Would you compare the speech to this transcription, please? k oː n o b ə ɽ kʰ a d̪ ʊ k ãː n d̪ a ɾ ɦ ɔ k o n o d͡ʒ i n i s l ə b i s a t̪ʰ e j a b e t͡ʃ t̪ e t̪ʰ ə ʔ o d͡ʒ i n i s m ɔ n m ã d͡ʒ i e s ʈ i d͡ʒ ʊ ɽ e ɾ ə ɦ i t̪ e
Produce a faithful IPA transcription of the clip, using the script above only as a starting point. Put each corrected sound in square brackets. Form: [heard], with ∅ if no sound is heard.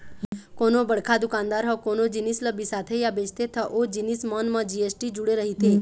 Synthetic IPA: k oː n o b ə ɽ kʰ a d̪ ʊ k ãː n d̪ a ɾ ɦ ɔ k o n o d͡ʒ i n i s l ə b i s a t̪ʰ e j a b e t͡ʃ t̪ e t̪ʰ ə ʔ o d͡ʒ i n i s m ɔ n m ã d͡ʒ i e s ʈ i d͡ʒ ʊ ɽ e ɾ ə ɦ i t̪ e

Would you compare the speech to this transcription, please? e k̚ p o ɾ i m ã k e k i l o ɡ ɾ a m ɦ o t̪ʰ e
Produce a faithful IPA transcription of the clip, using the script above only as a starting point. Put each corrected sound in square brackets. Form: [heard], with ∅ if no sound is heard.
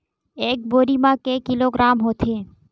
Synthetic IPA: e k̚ [b] o ɾ i m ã k e k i l o ɡ ɾ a m ɦ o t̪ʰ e

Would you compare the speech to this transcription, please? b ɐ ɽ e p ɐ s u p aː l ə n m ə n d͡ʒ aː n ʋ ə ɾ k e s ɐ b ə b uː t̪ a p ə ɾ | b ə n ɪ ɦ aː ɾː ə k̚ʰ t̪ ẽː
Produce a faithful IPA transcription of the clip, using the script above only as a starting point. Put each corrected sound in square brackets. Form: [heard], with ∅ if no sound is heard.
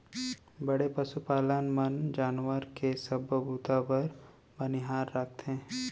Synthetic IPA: b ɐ ɽ e p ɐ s u p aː l ə n m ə n d͡ʒ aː n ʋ ə ɾ k e s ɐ b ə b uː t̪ a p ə ɾ | b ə n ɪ ɦ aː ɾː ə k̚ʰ t̪ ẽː

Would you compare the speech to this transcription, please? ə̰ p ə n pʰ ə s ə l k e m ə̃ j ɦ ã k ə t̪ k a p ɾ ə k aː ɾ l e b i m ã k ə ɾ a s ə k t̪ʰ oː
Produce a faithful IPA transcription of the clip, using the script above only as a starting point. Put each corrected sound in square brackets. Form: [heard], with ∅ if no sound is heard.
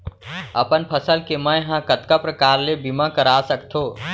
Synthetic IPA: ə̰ p ə n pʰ ə s ə l k e m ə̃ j ɦ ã k ə t̪ k a p ɾ ə k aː ɾ l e b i m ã k ə ɾ a s ə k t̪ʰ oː

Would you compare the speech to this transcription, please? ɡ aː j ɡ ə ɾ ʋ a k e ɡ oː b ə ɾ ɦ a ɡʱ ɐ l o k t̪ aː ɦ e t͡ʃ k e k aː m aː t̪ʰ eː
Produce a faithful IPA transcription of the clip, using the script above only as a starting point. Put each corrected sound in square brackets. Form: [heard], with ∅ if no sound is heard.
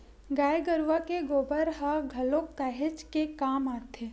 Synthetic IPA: ɡ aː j ɡ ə ɾ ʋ a k e ɡ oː b ə ɾ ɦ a ɡʱ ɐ l o k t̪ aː ɦ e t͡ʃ k e k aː m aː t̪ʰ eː

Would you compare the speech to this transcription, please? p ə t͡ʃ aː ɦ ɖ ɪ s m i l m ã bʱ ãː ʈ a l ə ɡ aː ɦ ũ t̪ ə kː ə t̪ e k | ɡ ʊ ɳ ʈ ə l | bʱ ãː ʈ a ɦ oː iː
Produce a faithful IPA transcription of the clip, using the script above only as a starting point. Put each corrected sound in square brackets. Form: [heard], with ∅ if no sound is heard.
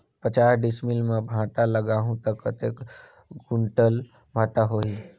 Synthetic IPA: p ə t͡ʃ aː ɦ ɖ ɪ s m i l m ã bʱ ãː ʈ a l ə ɡ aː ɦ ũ t̪ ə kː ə t̪ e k | ɡ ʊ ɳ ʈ ə l | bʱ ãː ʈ a ɦ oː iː

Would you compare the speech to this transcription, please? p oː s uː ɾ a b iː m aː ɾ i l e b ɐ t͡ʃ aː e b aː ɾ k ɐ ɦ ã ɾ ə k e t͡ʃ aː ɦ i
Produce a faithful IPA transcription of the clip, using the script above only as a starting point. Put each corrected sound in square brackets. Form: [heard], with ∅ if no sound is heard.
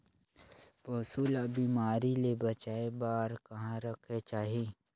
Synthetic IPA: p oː s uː [l] a b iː m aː ɾ i l e b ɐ t͡ʃ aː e b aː ɾ k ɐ ɦ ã ɾ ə [kʰ] e t͡ʃ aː ɦ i

